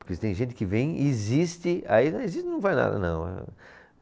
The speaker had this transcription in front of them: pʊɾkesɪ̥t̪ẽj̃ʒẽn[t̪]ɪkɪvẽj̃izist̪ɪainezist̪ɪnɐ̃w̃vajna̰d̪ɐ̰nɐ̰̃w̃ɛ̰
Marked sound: correct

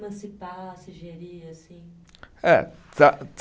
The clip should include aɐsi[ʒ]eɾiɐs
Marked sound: correct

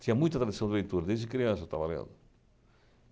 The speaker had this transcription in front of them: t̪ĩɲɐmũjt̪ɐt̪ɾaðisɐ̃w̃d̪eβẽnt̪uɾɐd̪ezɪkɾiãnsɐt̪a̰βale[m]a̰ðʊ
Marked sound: incorrect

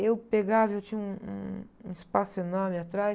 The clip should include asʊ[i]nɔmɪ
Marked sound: incorrect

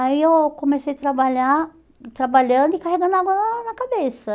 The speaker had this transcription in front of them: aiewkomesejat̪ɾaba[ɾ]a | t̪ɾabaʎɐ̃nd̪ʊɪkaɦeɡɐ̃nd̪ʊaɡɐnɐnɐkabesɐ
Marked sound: incorrect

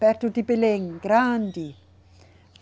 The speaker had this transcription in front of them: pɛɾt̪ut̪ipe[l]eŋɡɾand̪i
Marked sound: correct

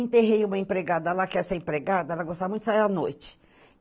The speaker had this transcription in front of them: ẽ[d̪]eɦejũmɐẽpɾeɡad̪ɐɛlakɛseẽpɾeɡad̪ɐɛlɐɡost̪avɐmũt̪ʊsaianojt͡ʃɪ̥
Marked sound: incorrect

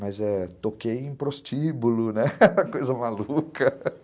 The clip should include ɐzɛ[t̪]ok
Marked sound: correct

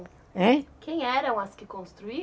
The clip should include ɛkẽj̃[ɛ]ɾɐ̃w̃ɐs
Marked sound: correct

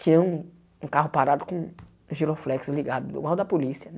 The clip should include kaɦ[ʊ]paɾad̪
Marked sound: correct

